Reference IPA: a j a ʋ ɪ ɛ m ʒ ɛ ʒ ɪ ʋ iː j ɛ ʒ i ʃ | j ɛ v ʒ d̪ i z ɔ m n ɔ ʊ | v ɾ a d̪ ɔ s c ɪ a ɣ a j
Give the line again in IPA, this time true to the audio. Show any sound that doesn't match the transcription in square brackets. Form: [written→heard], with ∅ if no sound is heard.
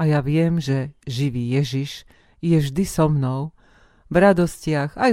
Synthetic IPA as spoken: a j a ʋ ɪ ɛ m ʒ ɛ ʒ [ɪ→i] ʋ iː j ɛ ʒ i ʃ | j ɛ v ʒ d̪ i [z→s] ɔ m n ɔ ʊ | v ɾ a d̪ ɔ s c ɪ a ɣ a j